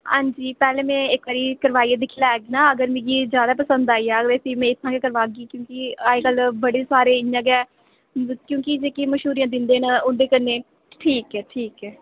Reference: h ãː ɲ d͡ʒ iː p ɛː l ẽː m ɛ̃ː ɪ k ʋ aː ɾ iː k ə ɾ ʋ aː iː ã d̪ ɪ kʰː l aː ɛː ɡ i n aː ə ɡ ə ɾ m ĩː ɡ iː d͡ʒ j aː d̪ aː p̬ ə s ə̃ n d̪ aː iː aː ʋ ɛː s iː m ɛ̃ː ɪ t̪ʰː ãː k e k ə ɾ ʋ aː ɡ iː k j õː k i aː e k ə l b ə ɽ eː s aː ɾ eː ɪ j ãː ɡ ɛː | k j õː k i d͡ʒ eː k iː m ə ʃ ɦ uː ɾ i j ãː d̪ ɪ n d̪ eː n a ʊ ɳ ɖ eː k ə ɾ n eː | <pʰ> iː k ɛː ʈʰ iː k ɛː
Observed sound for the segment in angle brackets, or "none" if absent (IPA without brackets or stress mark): ʈʰ